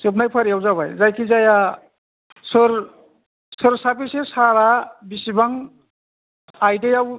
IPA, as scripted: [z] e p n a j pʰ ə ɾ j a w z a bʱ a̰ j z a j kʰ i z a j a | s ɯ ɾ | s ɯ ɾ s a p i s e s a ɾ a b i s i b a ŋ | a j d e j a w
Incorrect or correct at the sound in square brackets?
incorrect: s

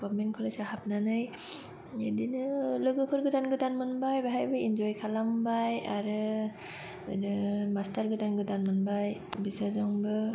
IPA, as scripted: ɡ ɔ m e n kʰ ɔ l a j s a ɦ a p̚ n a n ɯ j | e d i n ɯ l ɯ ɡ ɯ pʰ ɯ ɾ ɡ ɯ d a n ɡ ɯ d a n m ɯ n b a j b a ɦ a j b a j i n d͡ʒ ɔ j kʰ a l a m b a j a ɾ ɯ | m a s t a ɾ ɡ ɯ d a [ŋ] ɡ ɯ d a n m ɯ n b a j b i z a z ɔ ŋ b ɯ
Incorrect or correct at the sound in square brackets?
incorrect: n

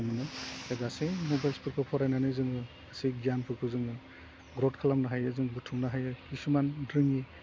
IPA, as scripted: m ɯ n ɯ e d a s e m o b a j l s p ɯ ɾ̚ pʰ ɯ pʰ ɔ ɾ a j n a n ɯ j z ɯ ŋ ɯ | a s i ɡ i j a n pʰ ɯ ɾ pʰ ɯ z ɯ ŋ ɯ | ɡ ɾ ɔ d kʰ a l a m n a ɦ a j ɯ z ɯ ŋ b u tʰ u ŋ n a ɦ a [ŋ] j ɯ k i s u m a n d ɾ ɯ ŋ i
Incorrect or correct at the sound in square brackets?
incorrect: none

